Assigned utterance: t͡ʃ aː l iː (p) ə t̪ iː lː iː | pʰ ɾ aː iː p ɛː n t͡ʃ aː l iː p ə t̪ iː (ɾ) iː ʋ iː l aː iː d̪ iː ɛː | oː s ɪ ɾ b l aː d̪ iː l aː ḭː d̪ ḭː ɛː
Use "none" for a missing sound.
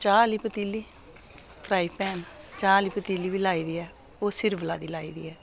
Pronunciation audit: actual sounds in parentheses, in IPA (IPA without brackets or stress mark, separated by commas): p, l